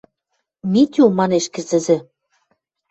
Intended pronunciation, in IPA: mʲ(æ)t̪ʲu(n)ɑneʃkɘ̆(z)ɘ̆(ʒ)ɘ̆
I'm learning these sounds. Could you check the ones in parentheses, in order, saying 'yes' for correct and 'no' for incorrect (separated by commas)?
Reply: no, no, yes, no